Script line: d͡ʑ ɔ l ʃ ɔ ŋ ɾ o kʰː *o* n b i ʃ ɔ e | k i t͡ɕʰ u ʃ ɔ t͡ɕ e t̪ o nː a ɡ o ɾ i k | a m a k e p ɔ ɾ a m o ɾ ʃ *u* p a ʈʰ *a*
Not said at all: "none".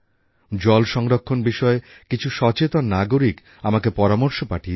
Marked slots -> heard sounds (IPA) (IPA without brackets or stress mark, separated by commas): o, o, i